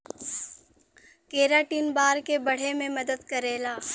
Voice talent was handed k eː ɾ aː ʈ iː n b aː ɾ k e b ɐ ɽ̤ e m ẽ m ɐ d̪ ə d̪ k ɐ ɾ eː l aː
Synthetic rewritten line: k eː ɾ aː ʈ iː n b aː ɾ k e b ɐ ɽ̤ e m ẽ m ɐ d̪ ə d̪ k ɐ ɾ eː l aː